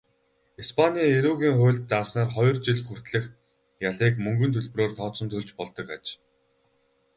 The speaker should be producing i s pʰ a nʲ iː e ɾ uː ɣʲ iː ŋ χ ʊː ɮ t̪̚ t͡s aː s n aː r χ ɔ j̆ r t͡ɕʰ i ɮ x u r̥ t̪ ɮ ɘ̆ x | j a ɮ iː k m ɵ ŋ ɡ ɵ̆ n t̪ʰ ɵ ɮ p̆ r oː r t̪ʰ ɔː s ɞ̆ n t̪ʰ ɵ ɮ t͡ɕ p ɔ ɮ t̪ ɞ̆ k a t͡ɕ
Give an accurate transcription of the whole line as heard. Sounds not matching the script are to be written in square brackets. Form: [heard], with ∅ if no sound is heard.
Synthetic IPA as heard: i s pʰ a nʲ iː e ɾ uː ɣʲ iː ŋ χ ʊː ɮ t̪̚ t͡s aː s n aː r χ ɔ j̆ r [t͡ɕ] i ɮ x u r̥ t̪ ɮ ɘ̆ x | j a ɮ iː k m ɵ ŋ ɡ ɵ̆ n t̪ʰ ɵ ɮ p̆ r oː r t̪ʰ ɔː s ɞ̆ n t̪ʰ ɵ ɮ t͡ɕ p ɔ ɮ t̪ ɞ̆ k a t͡ɕ